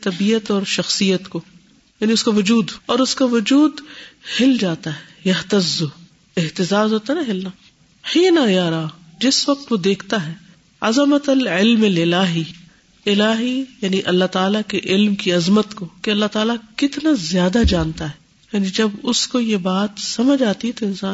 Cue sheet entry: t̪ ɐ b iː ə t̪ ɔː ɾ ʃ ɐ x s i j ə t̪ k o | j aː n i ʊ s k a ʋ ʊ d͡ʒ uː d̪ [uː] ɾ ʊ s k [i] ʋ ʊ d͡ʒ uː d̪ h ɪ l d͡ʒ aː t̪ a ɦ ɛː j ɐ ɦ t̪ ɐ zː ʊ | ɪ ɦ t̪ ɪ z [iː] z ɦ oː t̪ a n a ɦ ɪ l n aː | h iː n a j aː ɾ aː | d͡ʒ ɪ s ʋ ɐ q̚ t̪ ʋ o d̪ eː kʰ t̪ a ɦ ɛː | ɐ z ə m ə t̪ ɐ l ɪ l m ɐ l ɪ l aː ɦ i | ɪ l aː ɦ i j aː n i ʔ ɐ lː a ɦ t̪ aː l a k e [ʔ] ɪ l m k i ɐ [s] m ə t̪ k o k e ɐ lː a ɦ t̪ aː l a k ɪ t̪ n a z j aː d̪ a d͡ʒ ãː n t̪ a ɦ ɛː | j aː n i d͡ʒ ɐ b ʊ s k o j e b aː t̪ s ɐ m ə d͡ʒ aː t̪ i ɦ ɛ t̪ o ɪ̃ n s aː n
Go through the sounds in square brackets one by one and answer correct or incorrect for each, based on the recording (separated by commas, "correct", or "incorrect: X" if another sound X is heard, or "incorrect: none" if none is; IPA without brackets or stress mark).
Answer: incorrect: ɔː, incorrect: a, incorrect: aː, correct, incorrect: z